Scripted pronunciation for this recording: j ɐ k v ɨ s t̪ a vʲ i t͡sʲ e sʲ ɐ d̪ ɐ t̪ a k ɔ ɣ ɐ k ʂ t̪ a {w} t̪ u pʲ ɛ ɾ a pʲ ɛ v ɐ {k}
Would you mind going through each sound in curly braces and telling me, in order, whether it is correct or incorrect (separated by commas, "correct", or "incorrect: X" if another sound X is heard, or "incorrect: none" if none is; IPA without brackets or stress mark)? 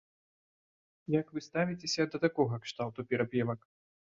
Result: correct, correct